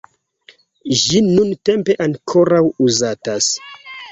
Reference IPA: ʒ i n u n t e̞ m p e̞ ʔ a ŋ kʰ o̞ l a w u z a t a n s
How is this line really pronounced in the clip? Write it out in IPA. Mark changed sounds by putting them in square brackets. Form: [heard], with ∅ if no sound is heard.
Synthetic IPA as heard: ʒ i n u n t e̞ m p e̞ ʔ a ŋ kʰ o̞ [ɾ] a w u z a t a [∅] s